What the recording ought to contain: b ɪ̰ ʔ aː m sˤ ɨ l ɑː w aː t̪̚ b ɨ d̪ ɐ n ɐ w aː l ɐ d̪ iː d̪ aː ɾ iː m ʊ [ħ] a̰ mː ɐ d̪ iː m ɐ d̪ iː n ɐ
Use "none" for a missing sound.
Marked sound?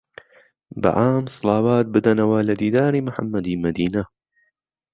ħ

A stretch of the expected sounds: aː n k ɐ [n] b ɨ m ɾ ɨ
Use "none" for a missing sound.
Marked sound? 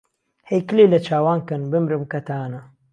n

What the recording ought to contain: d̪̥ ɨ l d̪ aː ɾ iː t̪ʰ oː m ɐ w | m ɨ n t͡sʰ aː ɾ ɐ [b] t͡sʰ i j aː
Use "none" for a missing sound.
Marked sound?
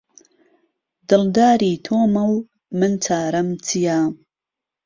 m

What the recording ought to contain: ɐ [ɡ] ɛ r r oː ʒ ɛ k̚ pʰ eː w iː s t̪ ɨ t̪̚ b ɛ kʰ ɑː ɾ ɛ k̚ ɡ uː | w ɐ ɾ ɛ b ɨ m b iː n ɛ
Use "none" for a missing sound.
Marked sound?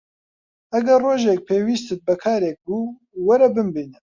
ɡ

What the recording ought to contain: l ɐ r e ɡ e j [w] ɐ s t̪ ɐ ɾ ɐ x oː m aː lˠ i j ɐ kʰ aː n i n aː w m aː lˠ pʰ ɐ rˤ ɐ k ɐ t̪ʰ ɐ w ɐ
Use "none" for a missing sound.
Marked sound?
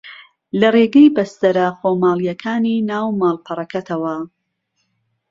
b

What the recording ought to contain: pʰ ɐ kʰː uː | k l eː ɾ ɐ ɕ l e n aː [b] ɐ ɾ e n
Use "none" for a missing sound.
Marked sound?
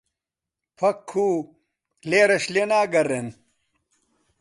ɡ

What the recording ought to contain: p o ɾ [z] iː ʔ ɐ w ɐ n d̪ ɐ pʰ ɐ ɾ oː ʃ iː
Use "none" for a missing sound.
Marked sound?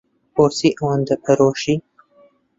s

